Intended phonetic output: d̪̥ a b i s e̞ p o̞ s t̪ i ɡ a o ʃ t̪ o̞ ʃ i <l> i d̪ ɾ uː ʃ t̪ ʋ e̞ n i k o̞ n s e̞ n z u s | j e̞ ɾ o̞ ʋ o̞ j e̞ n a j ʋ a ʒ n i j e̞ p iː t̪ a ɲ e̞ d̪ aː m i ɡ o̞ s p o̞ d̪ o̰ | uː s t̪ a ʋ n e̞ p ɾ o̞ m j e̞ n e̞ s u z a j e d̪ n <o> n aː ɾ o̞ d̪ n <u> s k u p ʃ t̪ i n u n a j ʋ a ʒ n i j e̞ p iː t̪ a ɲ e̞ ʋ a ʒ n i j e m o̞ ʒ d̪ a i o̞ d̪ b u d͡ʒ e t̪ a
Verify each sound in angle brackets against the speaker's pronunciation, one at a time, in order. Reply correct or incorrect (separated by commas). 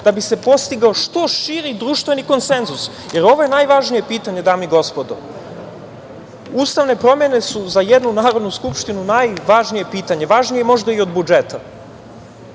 incorrect, incorrect, correct